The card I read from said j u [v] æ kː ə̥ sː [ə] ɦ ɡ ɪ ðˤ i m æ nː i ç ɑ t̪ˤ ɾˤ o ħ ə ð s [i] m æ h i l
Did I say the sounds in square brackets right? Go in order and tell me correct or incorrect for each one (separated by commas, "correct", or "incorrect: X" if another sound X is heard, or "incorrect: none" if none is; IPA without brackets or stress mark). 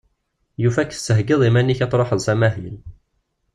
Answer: incorrect: f, correct, incorrect: æ